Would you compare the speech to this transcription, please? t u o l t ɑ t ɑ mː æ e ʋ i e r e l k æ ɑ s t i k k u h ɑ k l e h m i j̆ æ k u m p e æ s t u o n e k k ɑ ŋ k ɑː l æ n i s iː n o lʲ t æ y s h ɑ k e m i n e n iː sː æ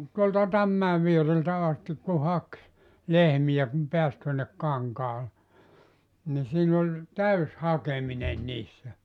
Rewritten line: t u o l t ɑ t ɑ mː æ e ʋ i e r e l t æ ɑ s t i k k u h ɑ k l e h m i j̆ æ k u m p e æ s t u o nː e k k ɑ ŋ k ɑː l e n i s iː n o lʲ t æ y s h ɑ k e m i n e n iː sː æ